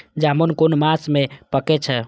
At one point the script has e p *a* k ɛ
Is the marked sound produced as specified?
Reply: no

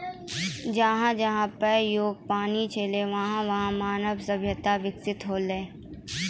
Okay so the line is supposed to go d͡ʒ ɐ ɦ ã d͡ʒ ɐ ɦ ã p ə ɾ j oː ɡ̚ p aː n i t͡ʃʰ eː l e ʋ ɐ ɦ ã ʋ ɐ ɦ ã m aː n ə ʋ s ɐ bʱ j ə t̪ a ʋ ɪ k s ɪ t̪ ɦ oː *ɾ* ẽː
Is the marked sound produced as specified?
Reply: no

